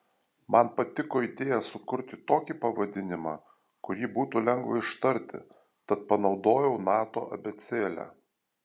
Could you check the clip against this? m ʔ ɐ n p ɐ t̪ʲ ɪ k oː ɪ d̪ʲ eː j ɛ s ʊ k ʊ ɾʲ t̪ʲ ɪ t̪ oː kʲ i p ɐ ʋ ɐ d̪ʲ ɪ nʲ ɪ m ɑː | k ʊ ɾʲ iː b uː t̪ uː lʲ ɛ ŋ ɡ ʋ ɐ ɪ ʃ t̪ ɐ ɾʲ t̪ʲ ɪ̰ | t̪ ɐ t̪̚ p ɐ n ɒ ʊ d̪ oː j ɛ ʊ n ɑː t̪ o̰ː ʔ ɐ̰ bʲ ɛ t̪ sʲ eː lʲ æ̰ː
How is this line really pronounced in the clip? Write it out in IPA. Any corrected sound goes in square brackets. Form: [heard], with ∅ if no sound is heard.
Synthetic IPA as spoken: m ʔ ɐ n p ɐ t̪ʲ ɪ k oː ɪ d̪ʲ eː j ɛ s ʊ k ʊ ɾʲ t̪ʲ ɪ t̪ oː kʲ i p ɐ ʋ ɐ d̪ʲ ɪ nʲ ɪ m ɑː | k ʊ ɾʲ iː b uː t̪ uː lʲ ɛ ŋ ɡ ʋ ɐ ɪ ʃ t̪ ɐ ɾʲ t̪ʲ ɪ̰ | t̪ ɐ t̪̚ p ɐ n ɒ ʊ d̪ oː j ɛ ʊ n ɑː t̪ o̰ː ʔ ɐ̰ bʲ ɛ t̪ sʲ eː lʲ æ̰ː